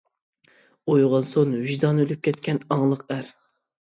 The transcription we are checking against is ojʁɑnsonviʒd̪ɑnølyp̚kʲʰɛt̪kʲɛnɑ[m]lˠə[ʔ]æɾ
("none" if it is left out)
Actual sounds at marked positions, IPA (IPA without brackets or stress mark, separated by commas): ŋ, q